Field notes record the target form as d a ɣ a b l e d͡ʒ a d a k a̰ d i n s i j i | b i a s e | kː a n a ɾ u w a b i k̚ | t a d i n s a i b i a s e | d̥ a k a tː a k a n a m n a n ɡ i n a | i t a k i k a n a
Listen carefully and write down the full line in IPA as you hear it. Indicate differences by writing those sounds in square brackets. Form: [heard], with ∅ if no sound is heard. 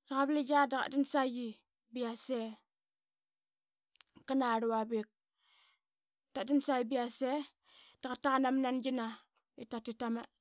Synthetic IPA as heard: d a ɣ a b l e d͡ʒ a d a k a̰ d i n s [a] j i | b i a s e | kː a n a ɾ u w a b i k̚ | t a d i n s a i b i a s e | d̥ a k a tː a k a n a m n a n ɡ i n a | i t a [t] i [t] a [m] a